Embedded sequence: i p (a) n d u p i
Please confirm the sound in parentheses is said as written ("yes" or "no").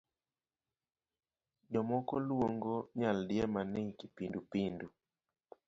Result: no